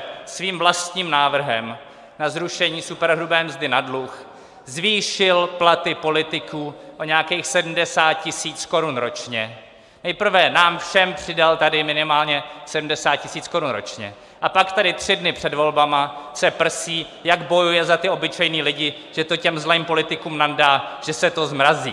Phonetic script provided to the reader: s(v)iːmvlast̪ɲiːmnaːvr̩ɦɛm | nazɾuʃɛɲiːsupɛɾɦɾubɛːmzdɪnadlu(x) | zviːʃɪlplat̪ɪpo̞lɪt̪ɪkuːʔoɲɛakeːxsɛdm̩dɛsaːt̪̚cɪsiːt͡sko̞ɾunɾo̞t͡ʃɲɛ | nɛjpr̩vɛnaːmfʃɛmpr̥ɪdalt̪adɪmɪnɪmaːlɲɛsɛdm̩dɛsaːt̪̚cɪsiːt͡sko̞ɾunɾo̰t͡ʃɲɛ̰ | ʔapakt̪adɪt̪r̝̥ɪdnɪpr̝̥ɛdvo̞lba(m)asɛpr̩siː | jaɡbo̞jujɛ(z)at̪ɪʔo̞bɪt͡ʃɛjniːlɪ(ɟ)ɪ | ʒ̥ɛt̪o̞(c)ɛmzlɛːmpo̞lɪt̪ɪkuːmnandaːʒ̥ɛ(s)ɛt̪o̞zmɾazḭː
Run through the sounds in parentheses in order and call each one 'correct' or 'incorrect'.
correct, correct, correct, correct, correct, correct, correct

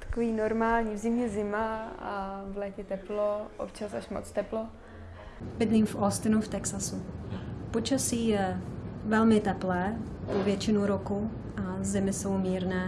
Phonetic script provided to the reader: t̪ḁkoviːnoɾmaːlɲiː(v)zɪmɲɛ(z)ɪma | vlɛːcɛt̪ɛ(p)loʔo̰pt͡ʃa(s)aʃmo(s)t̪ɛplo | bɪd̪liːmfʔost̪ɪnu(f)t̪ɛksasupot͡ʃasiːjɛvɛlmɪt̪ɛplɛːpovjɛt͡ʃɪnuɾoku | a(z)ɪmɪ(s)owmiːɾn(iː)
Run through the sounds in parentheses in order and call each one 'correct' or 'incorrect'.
correct, correct, correct, correct, incorrect, correct, correct, correct, incorrect

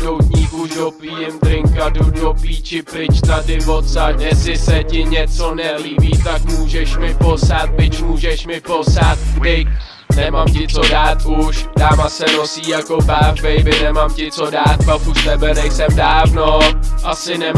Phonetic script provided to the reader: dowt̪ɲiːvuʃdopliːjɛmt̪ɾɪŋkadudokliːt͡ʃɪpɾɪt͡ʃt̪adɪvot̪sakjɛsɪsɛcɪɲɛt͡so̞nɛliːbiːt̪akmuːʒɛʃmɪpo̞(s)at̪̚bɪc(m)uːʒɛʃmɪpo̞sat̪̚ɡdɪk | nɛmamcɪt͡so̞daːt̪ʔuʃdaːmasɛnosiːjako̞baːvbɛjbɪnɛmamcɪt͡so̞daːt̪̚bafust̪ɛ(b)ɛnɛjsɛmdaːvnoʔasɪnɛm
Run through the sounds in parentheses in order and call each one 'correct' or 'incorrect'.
correct, correct, correct

